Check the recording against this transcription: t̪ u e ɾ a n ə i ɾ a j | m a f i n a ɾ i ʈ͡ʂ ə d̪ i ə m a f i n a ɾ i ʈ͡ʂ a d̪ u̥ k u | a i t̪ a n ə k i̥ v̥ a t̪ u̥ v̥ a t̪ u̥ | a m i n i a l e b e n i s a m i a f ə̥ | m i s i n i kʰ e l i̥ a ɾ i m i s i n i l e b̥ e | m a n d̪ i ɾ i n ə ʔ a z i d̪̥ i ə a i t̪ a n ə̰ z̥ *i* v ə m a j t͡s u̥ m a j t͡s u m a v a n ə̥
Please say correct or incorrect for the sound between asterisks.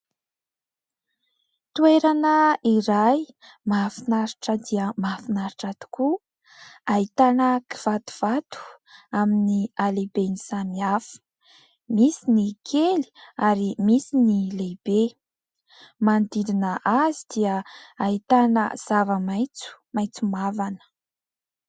incorrect